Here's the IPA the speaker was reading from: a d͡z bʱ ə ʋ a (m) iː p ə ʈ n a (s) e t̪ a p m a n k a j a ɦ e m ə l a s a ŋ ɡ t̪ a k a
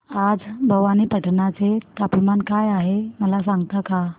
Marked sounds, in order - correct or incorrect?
incorrect: n, incorrect: t͡s

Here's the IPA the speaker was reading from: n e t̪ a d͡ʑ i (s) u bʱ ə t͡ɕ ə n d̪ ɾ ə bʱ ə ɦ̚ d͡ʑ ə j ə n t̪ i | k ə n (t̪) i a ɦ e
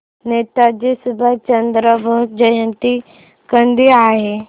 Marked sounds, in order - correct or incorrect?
correct, incorrect: d̪

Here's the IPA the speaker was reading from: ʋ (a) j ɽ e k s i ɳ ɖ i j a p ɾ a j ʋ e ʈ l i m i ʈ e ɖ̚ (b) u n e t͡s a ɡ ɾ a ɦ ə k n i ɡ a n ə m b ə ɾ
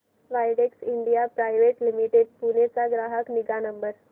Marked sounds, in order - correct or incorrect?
correct, incorrect: p

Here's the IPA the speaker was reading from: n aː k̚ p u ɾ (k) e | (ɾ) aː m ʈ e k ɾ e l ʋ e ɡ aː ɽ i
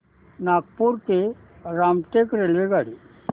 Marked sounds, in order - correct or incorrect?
correct, correct

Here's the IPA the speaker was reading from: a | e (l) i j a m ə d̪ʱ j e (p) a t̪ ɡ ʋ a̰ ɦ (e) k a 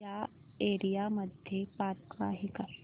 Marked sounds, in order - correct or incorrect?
incorrect: ɾ, correct, incorrect: i

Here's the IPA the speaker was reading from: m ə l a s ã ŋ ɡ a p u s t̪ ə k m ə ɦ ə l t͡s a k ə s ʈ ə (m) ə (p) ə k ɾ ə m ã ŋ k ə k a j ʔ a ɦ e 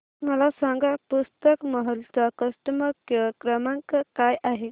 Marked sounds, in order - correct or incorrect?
correct, incorrect: k

